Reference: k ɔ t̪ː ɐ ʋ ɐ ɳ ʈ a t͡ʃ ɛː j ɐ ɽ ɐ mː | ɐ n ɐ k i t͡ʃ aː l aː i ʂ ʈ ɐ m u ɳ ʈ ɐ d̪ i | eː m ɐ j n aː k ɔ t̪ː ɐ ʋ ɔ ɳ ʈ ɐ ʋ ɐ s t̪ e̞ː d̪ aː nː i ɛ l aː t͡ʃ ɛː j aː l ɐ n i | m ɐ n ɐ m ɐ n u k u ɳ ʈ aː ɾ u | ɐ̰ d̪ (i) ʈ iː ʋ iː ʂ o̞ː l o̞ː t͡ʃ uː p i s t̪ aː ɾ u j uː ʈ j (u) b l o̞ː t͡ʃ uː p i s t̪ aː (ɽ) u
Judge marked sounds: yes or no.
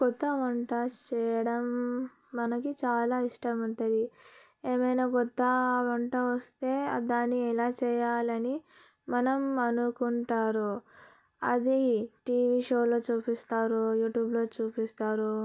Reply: yes, no, no

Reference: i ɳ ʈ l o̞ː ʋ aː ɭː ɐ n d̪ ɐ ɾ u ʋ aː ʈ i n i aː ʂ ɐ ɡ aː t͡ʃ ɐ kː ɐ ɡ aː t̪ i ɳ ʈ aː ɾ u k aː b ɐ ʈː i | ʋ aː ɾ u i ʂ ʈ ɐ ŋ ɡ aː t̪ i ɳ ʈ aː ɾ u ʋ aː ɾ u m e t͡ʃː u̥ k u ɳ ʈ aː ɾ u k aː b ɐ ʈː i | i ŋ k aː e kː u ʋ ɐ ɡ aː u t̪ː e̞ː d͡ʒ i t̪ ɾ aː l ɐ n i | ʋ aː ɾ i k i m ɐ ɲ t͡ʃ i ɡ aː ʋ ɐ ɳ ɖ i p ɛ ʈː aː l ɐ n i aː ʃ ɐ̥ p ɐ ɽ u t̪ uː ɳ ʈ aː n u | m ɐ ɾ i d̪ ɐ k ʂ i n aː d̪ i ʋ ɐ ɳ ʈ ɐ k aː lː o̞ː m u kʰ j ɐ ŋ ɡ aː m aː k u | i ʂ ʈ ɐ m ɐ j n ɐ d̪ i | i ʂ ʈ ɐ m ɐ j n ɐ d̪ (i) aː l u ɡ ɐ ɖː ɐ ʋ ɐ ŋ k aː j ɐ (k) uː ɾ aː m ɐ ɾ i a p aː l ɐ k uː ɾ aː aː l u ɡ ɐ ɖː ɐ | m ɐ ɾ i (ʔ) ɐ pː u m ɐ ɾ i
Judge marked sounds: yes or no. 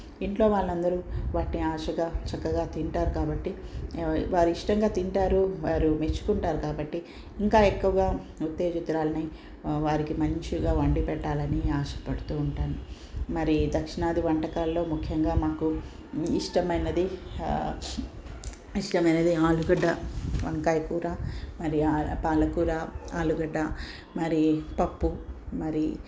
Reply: yes, yes, no

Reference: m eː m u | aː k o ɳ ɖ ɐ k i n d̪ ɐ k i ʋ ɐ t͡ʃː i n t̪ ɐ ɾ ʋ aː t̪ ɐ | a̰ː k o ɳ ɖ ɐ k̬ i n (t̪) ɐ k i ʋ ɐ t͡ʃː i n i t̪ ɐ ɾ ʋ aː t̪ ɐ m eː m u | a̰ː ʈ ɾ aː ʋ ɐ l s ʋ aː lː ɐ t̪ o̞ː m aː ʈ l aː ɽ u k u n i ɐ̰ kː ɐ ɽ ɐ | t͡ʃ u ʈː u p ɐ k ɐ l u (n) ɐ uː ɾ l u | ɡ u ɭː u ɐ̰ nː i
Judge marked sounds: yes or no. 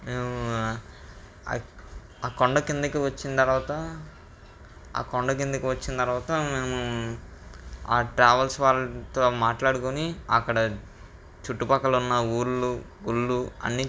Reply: no, no

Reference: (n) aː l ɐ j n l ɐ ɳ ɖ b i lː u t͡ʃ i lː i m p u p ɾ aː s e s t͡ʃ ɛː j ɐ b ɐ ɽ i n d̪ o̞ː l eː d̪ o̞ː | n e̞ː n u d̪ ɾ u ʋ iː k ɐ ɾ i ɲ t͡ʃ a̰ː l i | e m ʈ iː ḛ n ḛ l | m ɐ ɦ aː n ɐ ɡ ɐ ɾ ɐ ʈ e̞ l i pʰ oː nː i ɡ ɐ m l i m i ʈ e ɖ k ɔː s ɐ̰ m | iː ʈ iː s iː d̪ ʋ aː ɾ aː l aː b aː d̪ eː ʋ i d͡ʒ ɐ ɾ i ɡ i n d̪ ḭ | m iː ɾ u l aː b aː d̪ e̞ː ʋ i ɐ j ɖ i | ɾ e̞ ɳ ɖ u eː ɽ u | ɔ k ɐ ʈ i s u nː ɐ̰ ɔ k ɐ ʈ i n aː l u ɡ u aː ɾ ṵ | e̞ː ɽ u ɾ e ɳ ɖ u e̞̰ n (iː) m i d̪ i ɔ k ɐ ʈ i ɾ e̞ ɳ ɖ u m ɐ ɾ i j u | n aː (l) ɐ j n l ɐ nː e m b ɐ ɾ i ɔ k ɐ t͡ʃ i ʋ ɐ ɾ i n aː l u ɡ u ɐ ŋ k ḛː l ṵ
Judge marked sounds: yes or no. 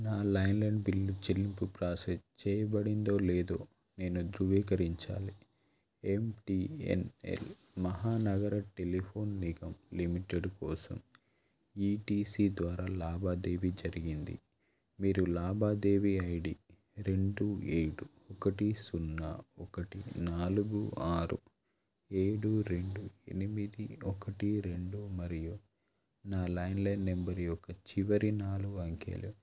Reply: yes, no, yes

